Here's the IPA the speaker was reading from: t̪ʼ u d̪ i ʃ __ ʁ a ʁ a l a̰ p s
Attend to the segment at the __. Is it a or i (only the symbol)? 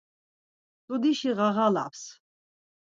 i